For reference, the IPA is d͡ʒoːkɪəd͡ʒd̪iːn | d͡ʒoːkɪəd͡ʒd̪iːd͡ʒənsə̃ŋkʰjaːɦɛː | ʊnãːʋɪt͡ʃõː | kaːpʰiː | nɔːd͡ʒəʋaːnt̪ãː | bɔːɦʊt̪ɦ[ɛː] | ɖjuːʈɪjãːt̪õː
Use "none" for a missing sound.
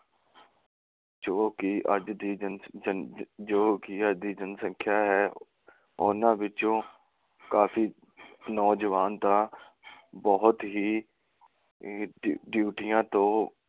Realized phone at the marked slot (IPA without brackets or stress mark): iː